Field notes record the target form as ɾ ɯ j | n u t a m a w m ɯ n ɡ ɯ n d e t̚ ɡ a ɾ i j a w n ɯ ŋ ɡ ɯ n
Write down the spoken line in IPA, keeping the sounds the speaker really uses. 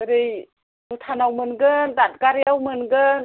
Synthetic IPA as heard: ɾ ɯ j | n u tʰ a n a w m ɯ n ɡ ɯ n d a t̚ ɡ a ɾ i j a w m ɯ n ɡ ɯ n